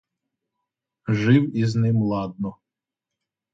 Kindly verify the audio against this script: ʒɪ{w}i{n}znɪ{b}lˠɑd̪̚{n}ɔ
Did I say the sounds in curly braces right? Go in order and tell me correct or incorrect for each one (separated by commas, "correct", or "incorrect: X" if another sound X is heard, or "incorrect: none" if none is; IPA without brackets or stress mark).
correct, incorrect: none, incorrect: m, correct